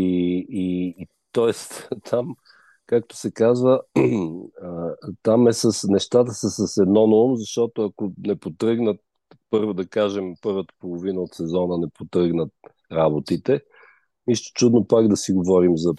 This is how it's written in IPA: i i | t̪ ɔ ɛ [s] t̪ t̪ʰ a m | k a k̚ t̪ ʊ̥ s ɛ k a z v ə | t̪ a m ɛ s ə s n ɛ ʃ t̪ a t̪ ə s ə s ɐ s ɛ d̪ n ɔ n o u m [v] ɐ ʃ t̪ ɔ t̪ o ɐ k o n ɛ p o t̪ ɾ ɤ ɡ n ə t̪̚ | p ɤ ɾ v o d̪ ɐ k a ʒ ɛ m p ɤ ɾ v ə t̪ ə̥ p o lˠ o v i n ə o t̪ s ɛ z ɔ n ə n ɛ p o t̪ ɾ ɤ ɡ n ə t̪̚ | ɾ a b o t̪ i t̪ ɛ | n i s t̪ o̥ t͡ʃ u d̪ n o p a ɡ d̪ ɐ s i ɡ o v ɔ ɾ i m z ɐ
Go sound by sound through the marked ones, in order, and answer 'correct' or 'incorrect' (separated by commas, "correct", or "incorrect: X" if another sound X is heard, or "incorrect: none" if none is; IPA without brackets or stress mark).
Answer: correct, incorrect: z